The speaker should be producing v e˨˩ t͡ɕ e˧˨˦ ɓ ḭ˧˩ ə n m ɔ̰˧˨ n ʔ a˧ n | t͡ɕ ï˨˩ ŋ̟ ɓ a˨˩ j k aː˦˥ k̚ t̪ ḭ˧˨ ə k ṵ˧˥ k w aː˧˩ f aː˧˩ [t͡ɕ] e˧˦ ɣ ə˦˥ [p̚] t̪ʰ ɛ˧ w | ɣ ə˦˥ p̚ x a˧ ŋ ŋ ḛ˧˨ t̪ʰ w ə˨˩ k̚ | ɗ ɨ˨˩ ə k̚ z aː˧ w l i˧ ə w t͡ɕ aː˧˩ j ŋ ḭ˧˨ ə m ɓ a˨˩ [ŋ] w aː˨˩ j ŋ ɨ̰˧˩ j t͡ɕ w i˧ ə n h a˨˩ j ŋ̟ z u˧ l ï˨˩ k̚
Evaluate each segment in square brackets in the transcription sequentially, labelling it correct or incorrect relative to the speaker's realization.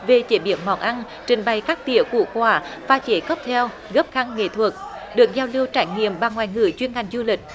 correct, correct, correct

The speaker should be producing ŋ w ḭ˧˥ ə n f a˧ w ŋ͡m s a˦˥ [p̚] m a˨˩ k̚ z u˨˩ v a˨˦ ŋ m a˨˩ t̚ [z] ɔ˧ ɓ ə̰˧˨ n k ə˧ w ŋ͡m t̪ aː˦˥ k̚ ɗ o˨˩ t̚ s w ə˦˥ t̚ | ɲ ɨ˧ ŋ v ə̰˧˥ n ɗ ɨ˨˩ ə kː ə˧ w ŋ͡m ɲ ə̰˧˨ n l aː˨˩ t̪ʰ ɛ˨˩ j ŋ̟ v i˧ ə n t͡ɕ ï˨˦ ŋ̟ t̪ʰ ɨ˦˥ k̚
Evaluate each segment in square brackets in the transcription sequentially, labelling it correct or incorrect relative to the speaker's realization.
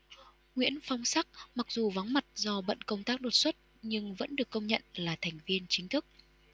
incorrect: k̚, correct

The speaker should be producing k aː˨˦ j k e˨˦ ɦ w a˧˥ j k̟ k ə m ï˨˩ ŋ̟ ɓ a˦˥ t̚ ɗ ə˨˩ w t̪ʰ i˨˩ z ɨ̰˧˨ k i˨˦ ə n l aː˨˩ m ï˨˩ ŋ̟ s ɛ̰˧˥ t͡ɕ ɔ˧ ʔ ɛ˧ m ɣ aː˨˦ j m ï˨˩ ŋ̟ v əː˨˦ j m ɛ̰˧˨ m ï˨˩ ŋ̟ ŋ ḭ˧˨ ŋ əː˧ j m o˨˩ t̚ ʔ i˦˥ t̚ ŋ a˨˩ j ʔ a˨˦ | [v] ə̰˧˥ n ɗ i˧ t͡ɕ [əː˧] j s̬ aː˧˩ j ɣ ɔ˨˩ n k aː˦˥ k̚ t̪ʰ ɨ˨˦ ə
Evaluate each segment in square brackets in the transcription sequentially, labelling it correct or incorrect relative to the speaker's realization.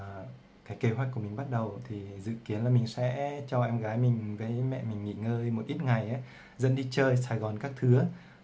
incorrect: z, correct

